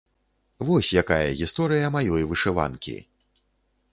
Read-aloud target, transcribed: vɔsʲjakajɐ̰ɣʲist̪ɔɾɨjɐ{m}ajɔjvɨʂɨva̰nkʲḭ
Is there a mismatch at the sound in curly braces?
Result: no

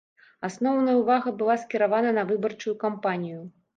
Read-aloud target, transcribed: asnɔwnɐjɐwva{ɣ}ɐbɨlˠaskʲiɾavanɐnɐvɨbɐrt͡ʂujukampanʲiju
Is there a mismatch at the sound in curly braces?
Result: no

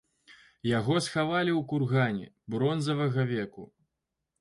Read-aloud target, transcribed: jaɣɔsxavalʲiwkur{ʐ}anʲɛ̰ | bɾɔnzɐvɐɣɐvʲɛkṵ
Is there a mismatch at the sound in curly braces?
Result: yes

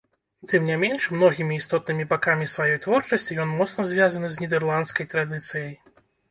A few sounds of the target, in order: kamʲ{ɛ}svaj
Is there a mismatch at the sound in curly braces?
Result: yes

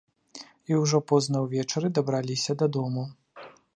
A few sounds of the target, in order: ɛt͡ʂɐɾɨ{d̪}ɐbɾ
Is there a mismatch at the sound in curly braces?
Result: no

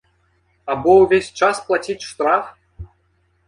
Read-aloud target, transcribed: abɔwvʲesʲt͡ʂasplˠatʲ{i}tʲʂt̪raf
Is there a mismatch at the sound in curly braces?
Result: no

